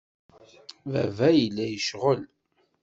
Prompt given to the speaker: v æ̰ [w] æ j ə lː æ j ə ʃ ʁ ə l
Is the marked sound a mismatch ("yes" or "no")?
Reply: yes